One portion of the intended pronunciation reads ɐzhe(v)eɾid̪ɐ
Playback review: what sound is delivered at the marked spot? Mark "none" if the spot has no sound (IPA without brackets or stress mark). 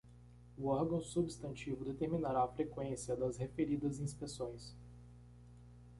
f